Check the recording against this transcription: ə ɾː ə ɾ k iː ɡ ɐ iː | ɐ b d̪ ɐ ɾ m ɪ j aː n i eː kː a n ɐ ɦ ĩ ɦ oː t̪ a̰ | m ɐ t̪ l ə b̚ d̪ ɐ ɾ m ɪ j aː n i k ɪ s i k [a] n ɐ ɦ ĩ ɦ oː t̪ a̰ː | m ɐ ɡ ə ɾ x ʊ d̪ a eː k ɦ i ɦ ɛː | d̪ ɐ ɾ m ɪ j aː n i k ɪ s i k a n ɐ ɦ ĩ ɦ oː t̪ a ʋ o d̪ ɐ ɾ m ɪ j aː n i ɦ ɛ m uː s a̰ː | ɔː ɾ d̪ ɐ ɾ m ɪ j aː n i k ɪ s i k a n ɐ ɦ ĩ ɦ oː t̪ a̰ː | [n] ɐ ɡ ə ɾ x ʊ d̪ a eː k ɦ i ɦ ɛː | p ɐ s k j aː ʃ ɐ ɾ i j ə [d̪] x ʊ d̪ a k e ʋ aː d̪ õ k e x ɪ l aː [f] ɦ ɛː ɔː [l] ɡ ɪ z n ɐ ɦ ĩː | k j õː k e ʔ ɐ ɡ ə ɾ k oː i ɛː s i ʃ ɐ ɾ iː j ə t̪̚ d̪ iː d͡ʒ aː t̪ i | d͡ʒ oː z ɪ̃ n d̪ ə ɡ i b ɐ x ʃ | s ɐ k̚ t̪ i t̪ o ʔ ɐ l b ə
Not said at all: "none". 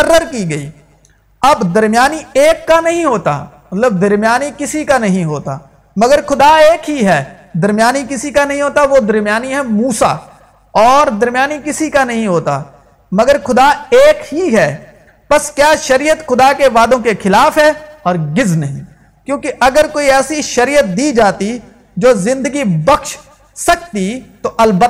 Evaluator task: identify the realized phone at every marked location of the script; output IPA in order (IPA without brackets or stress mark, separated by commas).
a, m, t̪, f, ɾ